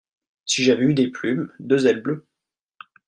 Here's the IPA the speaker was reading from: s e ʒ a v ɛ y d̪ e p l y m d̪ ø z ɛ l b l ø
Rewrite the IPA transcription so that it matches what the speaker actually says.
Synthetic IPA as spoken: s i ʒ a v ɛ y d̪ e p l y m d̪ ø z ɛ l b l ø